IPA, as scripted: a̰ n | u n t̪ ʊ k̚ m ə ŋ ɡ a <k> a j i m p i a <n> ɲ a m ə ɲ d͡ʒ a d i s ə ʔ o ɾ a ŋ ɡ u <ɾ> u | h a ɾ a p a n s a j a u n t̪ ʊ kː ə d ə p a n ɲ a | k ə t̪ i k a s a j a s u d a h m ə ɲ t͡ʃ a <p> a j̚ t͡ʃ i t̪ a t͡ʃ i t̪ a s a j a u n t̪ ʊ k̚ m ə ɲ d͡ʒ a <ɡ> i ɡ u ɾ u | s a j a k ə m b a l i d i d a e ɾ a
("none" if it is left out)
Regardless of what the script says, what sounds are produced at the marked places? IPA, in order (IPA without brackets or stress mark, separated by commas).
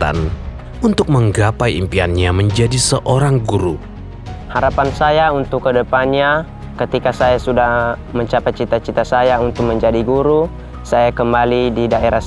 p, n, ɾ, p, d